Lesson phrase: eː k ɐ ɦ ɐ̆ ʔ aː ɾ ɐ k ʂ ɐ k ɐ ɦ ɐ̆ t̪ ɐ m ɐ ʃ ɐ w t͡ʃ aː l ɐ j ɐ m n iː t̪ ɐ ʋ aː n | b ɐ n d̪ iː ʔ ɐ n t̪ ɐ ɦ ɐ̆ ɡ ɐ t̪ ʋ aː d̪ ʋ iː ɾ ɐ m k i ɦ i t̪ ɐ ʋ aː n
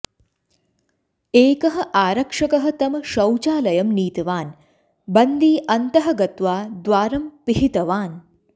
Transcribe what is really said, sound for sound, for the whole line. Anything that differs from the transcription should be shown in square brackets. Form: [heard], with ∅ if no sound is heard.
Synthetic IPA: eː k ɐ ɦ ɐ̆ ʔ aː ɾ ɐ k ʂ ɐ k ɐ ɦ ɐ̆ t̪ ɐ m ɐ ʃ ɐ w t͡ʃ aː l ɐ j ɐ m n iː t̪ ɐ ʋ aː n | b ɐ n d̪ iː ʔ ɐ n t̪ ɐ ɦ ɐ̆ ɡ ɐ t̪ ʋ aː d̪ ʋ [aː] ɾ ɐ m [p] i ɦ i t̪ ɐ ʋ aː n